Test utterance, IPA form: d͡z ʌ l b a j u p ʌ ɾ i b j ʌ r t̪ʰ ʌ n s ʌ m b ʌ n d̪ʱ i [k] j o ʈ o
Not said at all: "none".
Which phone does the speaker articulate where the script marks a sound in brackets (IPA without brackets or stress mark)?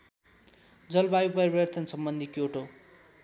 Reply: k